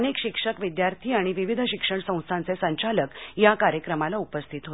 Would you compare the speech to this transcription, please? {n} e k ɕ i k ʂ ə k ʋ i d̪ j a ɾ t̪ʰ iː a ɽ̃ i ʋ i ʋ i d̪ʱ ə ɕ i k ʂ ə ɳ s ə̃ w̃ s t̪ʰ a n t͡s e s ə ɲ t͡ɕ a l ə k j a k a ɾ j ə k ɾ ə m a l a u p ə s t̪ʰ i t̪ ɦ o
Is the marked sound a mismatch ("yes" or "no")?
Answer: no